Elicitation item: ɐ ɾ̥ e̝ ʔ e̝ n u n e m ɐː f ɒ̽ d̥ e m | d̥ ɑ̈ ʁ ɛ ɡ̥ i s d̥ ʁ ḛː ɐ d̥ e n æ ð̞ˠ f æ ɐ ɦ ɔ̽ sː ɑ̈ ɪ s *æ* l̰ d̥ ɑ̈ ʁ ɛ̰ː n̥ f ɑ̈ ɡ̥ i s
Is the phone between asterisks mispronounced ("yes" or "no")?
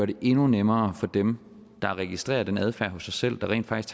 yes